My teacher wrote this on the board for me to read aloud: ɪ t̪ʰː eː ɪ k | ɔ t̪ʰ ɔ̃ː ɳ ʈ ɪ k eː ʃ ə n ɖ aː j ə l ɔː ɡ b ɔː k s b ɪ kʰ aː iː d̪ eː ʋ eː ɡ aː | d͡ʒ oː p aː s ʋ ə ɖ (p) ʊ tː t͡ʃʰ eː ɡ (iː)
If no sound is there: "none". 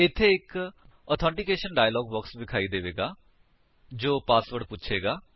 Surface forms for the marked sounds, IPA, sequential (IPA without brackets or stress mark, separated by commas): p, aː